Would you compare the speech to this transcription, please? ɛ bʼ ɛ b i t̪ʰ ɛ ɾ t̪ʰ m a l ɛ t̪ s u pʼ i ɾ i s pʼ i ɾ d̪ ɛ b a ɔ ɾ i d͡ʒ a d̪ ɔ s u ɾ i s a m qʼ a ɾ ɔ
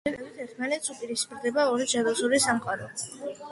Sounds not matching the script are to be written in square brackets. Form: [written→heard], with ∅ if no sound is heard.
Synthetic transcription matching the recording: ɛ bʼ ɛ b i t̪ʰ ɛ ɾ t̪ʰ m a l ɛ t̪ s u pʼ i ɾ i s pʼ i ɾ d̪ ɛ b a ɔ ɾ i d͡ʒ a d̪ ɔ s u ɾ i s a m qʼ a ɾ ɔ